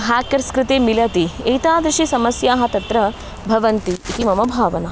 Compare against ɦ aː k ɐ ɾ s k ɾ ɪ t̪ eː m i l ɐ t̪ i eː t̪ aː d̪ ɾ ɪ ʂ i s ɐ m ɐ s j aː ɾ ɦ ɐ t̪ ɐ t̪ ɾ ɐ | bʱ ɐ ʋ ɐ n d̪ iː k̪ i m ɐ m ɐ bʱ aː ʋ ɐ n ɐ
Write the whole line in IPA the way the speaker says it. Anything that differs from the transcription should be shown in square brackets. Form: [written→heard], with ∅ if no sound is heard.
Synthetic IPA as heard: ɦ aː k ɐ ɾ s k ɾ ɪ t̪ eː m i l ɐ t̪ i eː t̪ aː d̪ ɾ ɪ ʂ i s ɐ m ɐ s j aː [ɾ→∅] ɦ ɐ t̪ ɐ t̪ ɾ ɐ | bʱ ɐ ʋ ɐ n [d̪→t̪] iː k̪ i m ɐ m ɐ bʱ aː ʋ ɐ n ɐ